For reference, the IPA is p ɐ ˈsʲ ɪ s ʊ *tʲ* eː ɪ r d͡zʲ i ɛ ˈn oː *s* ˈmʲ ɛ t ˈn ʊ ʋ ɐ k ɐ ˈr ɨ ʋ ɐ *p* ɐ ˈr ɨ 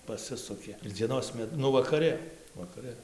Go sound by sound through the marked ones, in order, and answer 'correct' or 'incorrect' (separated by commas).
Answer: incorrect, correct, incorrect